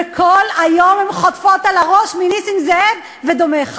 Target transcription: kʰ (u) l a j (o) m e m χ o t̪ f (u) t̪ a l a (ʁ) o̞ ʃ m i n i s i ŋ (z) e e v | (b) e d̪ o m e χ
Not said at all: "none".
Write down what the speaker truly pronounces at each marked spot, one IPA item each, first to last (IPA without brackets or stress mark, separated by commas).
o, o, o, ʁ, z, v